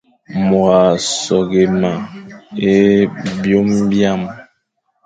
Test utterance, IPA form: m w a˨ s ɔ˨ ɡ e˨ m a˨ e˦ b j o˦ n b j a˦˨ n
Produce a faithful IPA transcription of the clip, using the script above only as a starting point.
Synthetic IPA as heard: m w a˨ s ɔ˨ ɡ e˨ m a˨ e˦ b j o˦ m b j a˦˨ m